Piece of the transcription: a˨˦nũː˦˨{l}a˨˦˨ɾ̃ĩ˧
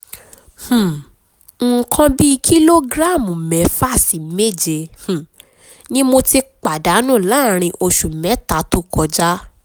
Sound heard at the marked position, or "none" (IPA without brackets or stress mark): l